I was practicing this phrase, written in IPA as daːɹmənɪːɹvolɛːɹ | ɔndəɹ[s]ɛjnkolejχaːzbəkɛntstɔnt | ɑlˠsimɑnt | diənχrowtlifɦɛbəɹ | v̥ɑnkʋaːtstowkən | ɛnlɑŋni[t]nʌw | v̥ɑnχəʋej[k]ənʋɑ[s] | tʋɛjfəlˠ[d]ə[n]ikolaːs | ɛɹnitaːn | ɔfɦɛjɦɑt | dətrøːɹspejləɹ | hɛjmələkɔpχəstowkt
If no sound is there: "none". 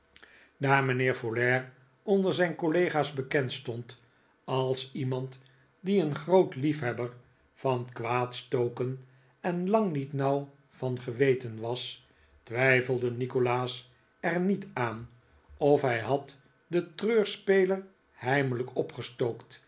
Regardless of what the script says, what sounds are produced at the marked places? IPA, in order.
z, t, t, s, d, n

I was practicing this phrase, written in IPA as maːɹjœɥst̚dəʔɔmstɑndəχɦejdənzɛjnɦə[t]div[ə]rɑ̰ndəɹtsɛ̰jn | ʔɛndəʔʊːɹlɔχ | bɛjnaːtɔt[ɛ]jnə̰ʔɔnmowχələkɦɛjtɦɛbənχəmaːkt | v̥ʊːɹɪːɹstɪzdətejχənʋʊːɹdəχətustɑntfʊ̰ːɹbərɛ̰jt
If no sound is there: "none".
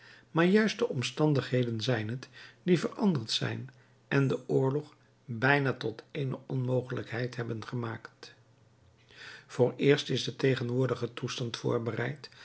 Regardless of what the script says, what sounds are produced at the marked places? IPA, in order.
t, ə, e

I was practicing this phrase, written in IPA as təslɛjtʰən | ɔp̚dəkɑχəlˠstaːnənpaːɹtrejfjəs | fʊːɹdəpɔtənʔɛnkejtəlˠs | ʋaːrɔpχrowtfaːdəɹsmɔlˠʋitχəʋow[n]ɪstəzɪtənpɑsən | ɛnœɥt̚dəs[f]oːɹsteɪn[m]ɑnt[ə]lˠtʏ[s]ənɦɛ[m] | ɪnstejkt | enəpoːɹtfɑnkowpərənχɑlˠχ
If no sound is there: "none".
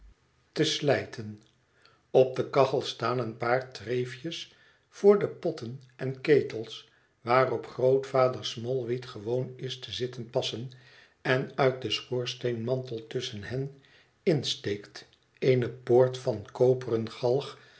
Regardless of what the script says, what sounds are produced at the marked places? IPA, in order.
n, χ, m, ə, s, n

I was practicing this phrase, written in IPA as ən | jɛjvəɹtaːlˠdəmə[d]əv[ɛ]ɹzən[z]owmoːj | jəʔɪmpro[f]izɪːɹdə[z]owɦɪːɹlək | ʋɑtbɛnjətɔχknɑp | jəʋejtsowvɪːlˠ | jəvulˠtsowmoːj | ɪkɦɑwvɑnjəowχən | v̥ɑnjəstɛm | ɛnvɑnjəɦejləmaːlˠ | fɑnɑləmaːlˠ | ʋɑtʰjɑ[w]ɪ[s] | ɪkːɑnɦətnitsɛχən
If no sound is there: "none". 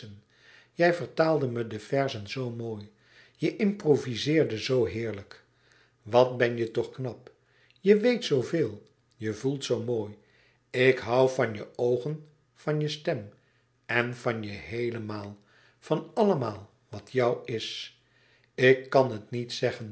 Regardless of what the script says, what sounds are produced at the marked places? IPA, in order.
d, ɛ, z, v, z, w, s

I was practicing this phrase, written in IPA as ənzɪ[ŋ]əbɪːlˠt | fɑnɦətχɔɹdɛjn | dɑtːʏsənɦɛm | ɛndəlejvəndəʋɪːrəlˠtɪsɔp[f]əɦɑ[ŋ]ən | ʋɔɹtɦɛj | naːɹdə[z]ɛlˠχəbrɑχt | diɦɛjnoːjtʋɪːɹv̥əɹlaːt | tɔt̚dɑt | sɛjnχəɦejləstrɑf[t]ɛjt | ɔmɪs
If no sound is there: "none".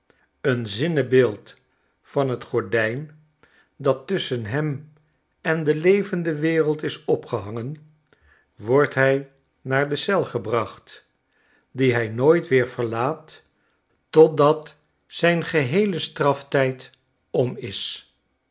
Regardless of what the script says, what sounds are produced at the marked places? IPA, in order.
n, χ, ŋ, s, t

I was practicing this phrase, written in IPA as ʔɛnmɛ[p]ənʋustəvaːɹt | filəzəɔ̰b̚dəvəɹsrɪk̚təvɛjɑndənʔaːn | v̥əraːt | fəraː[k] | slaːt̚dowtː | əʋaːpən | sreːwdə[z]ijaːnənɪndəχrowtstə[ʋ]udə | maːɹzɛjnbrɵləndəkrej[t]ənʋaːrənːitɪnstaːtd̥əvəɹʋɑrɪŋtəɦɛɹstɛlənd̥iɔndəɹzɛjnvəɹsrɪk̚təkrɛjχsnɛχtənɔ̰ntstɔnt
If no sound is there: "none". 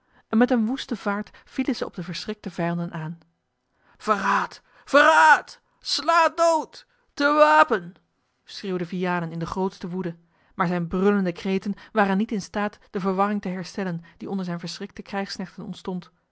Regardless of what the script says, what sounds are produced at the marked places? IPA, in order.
t, t, v, ʋ, t

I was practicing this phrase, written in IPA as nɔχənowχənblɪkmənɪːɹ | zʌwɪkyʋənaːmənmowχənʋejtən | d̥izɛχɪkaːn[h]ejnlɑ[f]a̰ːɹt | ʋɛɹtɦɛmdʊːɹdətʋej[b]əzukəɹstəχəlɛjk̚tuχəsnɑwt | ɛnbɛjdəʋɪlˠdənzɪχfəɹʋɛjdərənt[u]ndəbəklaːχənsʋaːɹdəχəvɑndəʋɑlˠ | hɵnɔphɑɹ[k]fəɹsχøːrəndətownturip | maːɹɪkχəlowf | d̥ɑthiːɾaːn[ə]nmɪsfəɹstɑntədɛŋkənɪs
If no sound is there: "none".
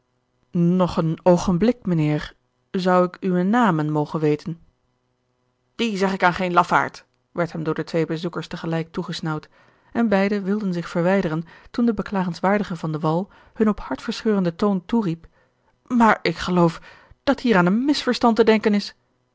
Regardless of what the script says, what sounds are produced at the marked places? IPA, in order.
χ, f, b, u, t, ə

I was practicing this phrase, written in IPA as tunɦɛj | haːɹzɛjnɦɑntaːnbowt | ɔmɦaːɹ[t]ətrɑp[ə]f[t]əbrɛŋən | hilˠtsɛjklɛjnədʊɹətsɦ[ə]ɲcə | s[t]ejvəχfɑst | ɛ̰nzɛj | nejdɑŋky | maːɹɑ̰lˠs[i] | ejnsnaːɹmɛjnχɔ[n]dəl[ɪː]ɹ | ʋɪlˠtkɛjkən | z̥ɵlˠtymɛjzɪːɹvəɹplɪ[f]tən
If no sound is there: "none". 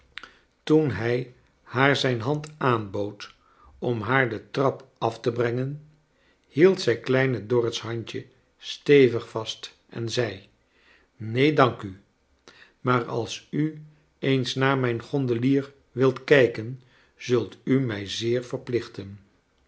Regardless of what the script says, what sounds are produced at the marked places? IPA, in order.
d, ɑ, t, ɑ, t, y, n, iː, χ

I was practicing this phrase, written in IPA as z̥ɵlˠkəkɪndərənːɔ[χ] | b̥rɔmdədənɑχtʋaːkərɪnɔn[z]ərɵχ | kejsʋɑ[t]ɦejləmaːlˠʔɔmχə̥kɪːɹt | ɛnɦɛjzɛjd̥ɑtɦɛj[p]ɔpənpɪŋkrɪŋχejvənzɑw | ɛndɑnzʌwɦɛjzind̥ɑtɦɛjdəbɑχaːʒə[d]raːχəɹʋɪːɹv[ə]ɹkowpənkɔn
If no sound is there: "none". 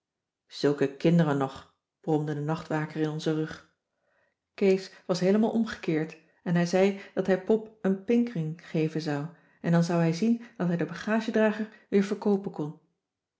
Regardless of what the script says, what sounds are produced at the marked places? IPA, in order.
χ, z, s, p, d, ə

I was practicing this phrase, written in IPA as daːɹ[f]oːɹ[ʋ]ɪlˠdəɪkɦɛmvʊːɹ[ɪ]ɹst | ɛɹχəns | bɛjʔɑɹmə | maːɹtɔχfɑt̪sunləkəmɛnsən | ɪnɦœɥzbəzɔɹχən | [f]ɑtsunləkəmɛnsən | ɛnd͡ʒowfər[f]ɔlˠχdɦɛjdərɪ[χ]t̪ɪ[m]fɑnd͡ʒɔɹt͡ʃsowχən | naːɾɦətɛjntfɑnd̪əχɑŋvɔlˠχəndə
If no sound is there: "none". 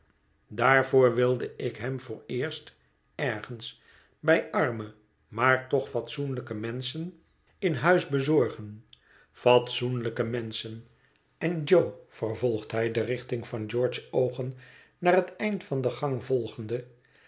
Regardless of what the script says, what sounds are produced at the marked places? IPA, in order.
v, ʋ, ɪː, f, v, χ, ŋ

